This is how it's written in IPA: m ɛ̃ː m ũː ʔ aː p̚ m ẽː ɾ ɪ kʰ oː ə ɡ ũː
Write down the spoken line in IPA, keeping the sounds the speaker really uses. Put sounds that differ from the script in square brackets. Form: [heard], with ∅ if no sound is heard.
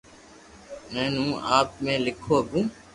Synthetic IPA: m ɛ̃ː [n] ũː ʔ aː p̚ m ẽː [l] ɪ kʰ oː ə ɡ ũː